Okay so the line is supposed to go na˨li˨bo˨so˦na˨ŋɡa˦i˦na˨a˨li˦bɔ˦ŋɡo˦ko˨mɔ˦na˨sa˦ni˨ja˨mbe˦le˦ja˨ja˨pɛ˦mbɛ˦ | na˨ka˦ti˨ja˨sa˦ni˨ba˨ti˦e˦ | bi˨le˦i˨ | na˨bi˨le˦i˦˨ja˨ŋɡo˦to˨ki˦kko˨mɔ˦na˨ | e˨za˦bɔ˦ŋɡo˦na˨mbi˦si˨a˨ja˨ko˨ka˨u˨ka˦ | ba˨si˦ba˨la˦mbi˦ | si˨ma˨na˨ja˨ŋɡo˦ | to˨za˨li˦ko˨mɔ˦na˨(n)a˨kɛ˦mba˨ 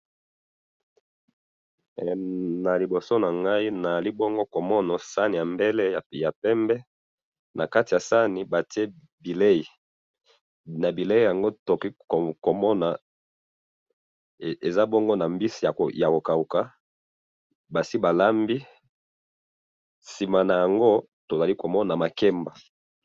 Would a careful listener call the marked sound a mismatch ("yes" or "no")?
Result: yes